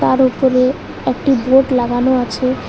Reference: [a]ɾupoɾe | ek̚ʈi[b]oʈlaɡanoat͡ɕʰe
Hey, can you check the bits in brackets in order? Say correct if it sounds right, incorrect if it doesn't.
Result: correct, correct

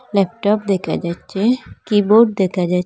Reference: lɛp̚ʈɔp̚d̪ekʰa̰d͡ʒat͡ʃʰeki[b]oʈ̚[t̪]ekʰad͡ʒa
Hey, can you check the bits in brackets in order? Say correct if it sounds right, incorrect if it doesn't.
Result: correct, incorrect: d̪

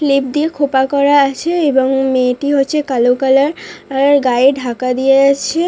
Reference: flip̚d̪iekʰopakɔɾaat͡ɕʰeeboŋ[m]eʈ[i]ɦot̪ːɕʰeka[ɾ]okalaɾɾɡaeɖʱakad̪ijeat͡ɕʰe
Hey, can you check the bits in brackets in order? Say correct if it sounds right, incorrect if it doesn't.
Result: correct, correct, incorrect: l

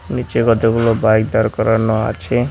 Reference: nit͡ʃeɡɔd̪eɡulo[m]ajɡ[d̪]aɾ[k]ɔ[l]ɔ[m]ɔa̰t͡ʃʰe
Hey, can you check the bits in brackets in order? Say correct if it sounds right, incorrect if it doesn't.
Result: incorrect: b, correct, correct, incorrect: ɾ, incorrect: n

